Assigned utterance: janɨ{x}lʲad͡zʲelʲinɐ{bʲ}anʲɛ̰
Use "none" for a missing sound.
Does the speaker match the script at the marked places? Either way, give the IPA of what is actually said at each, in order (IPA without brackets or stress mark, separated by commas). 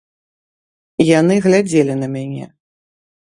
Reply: ɣ, mʲ